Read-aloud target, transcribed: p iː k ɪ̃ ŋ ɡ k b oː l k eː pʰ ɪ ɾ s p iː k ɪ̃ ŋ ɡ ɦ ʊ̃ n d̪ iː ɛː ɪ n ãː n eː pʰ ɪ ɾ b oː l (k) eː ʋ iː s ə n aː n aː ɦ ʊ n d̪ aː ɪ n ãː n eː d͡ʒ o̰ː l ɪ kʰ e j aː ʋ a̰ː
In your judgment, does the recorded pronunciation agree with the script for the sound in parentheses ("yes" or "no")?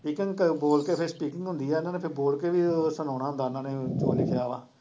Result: yes